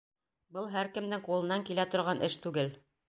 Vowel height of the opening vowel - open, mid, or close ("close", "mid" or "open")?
mid